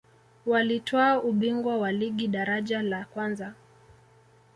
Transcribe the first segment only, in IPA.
w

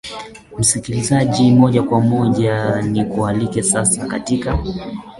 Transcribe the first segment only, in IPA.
m̩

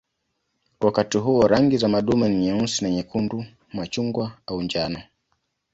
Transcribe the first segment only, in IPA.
w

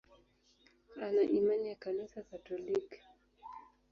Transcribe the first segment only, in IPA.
a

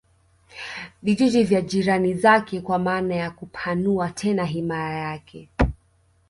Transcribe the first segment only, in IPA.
v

